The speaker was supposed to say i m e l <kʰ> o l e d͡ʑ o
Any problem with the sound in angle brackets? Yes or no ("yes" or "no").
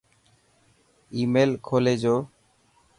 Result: no